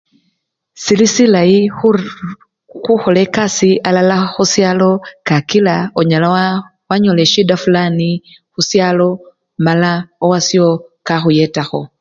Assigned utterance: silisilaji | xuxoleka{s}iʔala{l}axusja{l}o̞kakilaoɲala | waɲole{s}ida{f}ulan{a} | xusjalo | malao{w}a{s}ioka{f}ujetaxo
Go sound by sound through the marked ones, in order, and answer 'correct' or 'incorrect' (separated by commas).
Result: correct, correct, correct, incorrect, correct, incorrect, correct, correct, incorrect